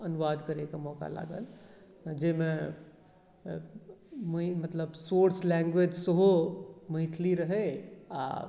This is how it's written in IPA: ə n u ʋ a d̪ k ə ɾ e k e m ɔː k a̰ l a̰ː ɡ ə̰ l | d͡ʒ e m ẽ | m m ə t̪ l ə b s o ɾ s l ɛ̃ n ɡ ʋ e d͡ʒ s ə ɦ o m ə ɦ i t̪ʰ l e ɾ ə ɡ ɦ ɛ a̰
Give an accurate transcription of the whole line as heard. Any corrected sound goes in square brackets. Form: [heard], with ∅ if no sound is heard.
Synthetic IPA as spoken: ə n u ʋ a d̪ k ə ɾ e k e m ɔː k a̰ l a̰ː ɡ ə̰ l | d͡ʒ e m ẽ | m m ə t̪ l ə b s o ɾ s l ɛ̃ [ŋ] ɡ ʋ e d͡ʒ s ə ɦ o m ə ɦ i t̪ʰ l [i] ɾ ə [∅] ɦ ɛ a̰